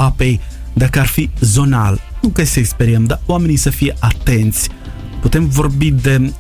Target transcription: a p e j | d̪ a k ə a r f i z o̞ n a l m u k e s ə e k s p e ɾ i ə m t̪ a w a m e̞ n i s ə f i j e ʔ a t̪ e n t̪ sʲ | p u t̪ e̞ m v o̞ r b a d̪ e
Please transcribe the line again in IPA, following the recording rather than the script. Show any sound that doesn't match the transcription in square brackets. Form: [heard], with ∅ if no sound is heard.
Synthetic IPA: a p e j | d̪ a k ə a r f i z o̞ n a l [n] u k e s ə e k s p e ɾ i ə m [d̪] a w a m e̞ n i s ə f i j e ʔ a t̪ e n t̪ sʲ | p u t̪ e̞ m v o̞ r b [i] d̪ e